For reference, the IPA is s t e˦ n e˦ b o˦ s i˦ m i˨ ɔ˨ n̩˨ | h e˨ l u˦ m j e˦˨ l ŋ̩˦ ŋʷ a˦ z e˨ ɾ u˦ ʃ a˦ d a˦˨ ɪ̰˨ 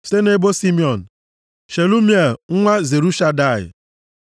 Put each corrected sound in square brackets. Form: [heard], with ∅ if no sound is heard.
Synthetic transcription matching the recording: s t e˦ n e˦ b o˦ s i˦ m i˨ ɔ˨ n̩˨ | [ʃ] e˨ l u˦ m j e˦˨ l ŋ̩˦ ŋʷ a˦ z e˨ ɾ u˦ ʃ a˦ d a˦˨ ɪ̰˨